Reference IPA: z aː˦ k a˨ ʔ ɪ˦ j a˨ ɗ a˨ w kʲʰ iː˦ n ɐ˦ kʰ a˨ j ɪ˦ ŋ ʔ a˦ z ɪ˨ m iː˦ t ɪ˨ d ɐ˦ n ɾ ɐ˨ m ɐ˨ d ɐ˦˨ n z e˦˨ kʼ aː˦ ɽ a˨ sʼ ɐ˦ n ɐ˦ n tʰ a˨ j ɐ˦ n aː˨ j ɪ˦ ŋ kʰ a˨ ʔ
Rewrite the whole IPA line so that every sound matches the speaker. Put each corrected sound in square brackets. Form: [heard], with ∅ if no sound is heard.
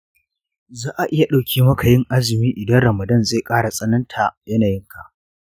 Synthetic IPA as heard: z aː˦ [ʔ] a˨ ʔ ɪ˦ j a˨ ɗ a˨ w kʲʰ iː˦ [m] ɐ˦ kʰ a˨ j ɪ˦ ŋ ʔ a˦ z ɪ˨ m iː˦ [ʔ] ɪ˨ d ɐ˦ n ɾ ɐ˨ m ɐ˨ d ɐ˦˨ n z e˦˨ kʼ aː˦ ɽ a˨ sʼ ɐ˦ n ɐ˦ n tʰ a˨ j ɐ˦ n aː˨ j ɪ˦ ŋ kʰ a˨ ʔ